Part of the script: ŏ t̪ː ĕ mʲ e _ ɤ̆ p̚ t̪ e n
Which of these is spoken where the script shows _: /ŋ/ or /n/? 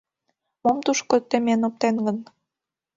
n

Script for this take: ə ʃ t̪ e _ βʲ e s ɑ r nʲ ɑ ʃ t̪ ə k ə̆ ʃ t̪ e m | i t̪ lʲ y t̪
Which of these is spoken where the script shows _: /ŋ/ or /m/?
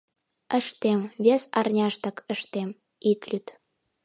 m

